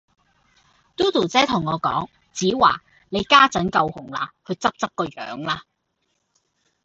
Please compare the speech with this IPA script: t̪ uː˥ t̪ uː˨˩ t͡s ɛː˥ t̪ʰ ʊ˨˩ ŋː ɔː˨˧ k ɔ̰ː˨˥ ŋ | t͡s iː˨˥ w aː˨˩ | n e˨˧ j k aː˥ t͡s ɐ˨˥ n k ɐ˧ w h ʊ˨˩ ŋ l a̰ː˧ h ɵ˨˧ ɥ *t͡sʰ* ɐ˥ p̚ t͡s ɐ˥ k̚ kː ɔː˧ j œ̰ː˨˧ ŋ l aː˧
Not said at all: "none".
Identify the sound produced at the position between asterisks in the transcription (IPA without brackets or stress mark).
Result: t͡s